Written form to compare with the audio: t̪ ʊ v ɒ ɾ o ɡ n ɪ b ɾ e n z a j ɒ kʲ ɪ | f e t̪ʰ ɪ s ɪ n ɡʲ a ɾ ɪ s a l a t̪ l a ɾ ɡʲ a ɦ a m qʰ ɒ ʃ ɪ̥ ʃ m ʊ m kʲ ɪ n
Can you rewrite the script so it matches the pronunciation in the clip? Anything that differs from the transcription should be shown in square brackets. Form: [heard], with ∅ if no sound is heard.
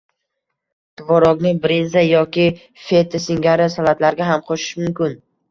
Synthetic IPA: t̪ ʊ v ɒ ɾ [ɒ] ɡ n ɪ b ɾ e n z a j ɒ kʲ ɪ | f e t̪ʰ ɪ s ɪ [ŋ] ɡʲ a ɾ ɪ s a l a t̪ l a ɾ ɡʲ a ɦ a m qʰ [o] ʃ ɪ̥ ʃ m ʊ m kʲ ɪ n